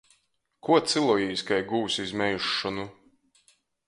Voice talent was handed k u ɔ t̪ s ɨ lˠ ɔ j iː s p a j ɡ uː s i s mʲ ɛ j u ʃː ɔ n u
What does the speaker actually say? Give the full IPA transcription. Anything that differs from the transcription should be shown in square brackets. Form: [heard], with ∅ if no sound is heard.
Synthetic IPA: k u ɔ t̪ s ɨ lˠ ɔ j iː s [k] a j ɡ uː s i [z] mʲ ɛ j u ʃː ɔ n u